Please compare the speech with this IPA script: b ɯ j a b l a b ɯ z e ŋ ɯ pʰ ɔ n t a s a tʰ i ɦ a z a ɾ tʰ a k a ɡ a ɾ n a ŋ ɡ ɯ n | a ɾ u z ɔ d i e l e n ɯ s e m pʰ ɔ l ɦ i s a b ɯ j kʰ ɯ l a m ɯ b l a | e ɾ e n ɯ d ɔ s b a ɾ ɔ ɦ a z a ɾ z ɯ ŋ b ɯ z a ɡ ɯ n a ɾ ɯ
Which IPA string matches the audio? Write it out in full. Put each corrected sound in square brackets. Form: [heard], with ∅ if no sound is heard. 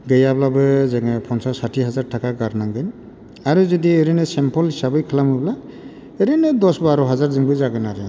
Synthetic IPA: [ɡ] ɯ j a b l a b ɯ z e ŋ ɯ pʰ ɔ n [s] a s a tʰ i ɦ a z a ɾ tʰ a k a ɡ a ɾ n a ŋ ɡ ɯ n | a ɾ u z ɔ d i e [ɾ] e n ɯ s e m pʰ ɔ l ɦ i s a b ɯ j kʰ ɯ l a m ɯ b l a | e ɾ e n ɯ d ɔ s b a ɾ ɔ ɦ a z a ɾ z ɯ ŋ b ɯ z a ɡ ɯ n a ɾ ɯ